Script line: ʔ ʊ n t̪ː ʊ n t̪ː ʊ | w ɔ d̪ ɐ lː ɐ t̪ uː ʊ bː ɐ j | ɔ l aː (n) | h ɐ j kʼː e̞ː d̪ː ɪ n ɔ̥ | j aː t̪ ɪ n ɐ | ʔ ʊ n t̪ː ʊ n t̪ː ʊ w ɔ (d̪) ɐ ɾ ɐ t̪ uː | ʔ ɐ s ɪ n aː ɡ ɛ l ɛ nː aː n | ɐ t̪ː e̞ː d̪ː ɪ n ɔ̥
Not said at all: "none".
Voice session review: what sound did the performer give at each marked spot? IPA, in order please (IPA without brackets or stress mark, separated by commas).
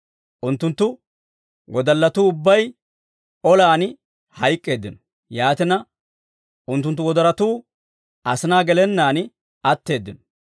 n, d̪